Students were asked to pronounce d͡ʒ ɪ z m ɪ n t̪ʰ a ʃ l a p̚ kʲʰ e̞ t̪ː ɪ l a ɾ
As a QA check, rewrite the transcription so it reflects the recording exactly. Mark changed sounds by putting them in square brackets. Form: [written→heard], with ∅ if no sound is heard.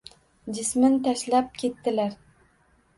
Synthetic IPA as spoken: d͡ʒ ɪ [z→s] m ɪ n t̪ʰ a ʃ l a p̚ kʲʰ e̞ t̪ː ɪ l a ɾ